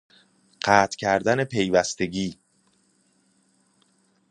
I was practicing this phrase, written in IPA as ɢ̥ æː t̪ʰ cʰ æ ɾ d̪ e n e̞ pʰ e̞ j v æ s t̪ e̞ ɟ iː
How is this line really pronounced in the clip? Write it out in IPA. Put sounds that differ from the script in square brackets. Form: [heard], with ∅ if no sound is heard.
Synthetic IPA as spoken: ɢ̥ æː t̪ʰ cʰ æ ɾ d̪ [æ] n e̞ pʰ e̞ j v æ s t̪ e̞ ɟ iː